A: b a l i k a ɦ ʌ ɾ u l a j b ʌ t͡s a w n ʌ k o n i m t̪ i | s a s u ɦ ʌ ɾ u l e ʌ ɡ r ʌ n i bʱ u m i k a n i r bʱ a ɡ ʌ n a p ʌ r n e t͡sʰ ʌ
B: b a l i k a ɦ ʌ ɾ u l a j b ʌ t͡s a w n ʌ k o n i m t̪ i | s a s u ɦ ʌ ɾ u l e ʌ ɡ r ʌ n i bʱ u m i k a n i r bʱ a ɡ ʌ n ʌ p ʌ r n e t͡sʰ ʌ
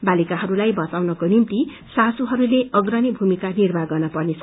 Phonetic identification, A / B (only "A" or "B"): B